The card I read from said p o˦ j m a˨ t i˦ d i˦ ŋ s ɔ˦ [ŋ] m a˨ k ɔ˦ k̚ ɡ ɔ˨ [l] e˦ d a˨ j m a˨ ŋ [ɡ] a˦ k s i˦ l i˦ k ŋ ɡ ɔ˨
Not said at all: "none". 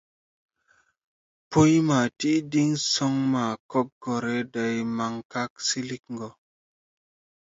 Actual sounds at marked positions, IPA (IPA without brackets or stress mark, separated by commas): ŋ, ɾ, k